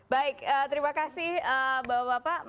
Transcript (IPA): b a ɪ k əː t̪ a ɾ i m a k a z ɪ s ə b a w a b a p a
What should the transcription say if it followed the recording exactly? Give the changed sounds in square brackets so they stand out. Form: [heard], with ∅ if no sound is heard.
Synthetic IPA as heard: b a ɪ k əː t̪ [ə] ɾ i m a k a [s] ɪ [h] ə b a w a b a p a